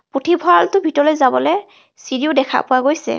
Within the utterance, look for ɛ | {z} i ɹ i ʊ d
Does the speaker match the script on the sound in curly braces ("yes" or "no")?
no